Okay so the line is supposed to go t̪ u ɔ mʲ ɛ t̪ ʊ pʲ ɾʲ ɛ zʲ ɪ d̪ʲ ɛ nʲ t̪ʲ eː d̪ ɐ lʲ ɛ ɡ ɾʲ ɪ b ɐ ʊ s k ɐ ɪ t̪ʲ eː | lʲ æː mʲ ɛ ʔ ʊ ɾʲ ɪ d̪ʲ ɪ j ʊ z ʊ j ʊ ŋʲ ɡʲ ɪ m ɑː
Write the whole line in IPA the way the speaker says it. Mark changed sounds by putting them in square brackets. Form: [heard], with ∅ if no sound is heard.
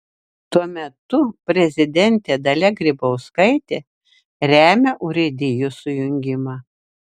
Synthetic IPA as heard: t̪ u ɔ mʲ ɛ t̪ ʊ pʲ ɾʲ ɛ zʲ ɪ d̪ʲ ɛ nʲ t̪ʲ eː d̪ ɐ lʲ ɛ ɡ ɾʲ ɪ b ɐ ʊ s k ɐ ɪ t̪ʲ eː | [ɾʲ] æː mʲ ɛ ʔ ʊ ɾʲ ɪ d̪ʲ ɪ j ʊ [s] ʊ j ʊ ŋʲ ɡʲ ɪ m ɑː